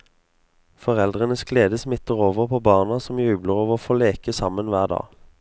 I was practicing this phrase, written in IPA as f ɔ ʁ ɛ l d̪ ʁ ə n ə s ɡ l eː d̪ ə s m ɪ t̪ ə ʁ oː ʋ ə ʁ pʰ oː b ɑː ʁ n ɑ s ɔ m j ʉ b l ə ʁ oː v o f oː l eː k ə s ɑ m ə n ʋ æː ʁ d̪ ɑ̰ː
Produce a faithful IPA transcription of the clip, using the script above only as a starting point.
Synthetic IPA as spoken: f ɔ ʁ ɛ l d̪ ʁ ə n ə s ɡ l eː d̪ ə s m ɪ t̪ ə ʁ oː ʋ ə ʁ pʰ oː b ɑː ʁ n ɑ s ɔ m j ʉː b l ə ʁ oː ʋ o f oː l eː k ə s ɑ m ə n ʋ æː ʁ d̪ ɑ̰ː